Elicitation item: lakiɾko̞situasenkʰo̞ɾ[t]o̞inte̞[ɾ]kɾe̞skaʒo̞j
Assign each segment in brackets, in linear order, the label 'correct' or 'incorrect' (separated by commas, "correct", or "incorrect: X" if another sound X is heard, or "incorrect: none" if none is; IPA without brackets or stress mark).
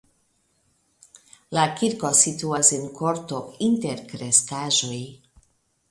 correct, correct